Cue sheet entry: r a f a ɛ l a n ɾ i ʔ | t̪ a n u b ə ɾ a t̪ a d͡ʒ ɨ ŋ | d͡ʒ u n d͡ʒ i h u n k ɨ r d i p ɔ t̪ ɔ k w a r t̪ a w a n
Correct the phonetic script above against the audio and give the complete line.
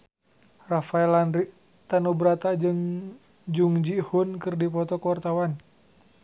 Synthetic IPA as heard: r a f a ɛ l a n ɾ i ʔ | t̪ a n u b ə ɾ a t̪ a d͡ʒ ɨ ŋ | d͡ʒ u ŋ d͡ʒ i h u n k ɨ r d i p ɔ t̪ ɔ k w a r t̪ a w a n